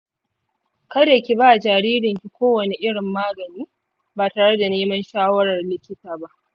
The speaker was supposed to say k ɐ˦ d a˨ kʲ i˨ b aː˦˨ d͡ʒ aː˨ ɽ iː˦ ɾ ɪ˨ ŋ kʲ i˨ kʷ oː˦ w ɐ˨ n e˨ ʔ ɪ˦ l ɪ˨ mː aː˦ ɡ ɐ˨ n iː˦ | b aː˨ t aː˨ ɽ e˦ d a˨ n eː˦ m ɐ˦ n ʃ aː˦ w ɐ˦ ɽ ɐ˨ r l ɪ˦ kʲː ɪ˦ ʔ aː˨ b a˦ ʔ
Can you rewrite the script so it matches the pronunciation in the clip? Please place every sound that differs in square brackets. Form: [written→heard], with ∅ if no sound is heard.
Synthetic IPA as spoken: k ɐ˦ d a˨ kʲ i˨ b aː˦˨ d͡ʒ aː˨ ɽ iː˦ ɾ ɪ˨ ŋ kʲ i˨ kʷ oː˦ w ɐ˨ n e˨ ʔ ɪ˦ [l→ɽ] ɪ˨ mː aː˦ ɡ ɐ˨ n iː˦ | b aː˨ t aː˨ ɽ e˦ d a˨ n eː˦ m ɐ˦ n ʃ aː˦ w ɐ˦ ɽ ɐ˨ r l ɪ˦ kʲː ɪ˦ [ʔ→t] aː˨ b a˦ ʔ